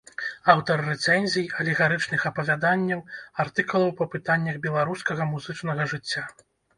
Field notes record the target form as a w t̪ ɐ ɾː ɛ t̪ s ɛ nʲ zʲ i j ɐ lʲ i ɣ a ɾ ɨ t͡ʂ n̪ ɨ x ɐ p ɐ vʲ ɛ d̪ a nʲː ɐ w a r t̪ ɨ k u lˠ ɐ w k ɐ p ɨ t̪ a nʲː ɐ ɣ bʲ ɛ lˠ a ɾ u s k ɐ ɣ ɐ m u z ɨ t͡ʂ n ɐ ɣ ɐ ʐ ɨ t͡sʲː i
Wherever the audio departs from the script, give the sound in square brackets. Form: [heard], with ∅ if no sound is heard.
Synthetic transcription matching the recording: a w t̪ ɐ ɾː ɛ t̪ s ɛ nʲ zʲ i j ɐ lʲ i ɣ a ɾ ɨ t͡ʂ n̪ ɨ x ɐ p ɐ vʲ [a] d̪ a nʲː ɐ w a r t̪ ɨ k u lˠ ɐ w [p] ɐ p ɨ t̪ a nʲː ɐ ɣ bʲ ɛ lˠ a ɾ u s k ɐ ɣ ɐ m u z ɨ t͡ʂ n ɐ ɣ ɐ ʐ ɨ t͡sʲː [a]